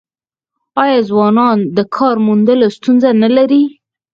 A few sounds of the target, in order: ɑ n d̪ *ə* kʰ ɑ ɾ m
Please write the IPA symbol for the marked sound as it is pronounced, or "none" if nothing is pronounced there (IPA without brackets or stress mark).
ə